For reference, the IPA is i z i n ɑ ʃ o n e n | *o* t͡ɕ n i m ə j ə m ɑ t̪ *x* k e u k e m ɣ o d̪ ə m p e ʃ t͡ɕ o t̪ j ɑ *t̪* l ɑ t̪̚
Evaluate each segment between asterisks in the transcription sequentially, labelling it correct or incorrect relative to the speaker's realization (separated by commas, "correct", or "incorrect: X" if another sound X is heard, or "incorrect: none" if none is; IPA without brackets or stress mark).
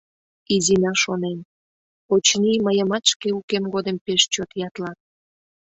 correct, incorrect: ʃ, correct